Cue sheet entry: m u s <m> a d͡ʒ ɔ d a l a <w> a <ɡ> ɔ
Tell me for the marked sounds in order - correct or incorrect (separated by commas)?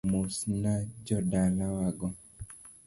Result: incorrect, correct, correct